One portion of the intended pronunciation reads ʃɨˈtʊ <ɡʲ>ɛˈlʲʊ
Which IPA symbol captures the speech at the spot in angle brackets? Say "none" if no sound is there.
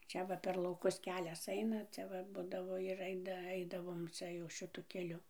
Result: kʲ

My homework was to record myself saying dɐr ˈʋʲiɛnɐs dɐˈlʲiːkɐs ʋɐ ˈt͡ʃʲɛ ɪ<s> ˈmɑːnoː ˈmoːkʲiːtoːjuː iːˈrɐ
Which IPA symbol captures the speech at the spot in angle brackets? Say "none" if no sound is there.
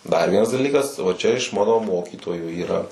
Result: ʃ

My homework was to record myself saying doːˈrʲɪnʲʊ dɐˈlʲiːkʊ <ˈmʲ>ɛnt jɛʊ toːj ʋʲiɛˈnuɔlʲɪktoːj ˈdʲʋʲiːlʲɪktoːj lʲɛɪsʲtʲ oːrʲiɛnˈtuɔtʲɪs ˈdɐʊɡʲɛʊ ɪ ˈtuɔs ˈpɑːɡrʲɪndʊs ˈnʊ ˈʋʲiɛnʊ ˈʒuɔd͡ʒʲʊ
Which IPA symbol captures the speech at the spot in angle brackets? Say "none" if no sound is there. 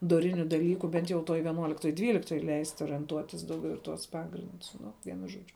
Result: bʲ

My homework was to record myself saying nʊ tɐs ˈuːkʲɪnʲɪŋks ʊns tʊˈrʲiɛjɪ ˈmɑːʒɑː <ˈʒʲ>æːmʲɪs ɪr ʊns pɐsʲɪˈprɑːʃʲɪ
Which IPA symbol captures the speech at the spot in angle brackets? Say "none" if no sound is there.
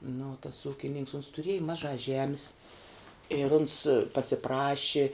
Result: ʒʲ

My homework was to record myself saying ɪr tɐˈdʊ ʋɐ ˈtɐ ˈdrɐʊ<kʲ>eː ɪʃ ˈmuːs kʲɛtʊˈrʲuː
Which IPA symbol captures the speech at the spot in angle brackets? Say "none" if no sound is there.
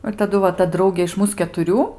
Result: ɡʲ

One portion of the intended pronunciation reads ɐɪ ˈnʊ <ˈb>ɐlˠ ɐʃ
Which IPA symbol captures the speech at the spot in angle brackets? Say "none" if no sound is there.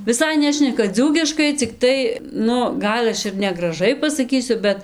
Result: ɡ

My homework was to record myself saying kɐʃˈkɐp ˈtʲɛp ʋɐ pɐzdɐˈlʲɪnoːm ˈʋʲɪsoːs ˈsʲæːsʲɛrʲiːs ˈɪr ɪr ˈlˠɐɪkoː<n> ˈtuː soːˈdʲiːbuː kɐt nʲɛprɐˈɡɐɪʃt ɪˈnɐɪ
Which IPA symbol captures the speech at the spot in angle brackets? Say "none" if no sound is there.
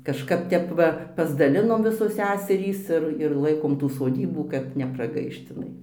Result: m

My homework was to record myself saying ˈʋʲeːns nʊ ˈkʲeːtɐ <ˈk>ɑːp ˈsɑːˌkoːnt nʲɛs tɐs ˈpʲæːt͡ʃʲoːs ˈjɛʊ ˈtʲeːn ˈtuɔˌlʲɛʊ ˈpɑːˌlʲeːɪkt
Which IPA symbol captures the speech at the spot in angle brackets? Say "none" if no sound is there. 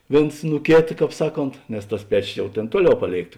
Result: k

